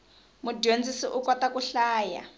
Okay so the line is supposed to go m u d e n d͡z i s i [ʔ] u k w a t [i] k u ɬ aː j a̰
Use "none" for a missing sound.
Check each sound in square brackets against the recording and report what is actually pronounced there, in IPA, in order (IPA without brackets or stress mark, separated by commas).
ʔ, a